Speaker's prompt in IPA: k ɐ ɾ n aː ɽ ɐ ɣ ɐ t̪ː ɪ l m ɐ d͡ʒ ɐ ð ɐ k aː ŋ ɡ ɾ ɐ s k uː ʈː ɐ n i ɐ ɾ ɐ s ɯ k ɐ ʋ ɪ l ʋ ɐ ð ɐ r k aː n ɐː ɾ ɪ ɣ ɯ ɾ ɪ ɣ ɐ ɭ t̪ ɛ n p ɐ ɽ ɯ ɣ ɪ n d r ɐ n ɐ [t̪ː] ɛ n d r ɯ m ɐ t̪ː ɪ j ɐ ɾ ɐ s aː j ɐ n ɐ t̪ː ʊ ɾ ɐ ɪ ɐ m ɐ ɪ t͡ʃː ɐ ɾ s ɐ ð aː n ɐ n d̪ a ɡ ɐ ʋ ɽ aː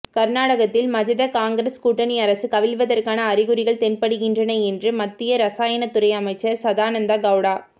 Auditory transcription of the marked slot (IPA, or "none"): none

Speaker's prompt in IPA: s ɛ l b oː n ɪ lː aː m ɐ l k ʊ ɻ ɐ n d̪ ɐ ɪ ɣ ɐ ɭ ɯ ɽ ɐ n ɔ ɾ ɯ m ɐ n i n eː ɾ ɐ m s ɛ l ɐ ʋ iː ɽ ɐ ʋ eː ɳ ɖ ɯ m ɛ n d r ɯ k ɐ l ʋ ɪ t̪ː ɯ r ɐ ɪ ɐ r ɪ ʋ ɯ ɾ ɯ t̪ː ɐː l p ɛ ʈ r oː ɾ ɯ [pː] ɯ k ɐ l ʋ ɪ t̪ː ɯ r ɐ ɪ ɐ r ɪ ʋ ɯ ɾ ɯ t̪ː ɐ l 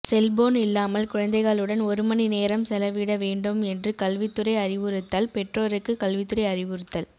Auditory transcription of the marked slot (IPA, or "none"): kː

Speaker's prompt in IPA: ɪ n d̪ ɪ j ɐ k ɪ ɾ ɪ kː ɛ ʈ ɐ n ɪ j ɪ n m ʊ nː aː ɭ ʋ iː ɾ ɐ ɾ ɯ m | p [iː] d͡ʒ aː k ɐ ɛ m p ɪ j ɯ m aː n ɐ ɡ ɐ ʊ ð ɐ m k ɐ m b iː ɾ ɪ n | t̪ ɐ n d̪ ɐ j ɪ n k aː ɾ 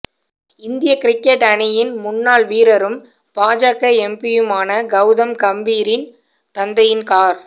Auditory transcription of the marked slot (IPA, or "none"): aː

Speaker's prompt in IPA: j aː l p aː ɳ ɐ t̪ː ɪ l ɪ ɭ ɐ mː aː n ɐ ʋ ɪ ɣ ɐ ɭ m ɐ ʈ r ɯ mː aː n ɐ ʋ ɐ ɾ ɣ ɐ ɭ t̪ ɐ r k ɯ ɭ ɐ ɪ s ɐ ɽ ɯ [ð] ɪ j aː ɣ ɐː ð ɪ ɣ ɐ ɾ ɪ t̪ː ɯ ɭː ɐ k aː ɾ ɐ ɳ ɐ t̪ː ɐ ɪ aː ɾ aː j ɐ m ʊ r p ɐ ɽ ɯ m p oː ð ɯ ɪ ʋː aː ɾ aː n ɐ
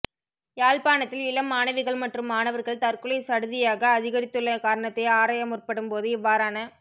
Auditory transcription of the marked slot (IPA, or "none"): ð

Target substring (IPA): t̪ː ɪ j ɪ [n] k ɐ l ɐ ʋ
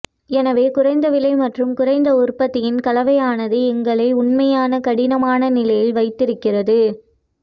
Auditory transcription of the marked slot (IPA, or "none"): n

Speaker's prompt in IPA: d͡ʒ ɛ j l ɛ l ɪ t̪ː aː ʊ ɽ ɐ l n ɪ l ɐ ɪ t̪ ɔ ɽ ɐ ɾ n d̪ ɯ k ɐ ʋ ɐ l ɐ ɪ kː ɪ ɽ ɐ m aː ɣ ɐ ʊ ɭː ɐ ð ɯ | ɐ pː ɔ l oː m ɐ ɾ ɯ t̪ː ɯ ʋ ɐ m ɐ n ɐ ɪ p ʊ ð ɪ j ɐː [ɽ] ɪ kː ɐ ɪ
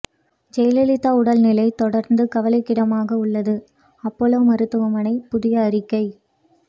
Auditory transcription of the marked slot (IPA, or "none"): ɾ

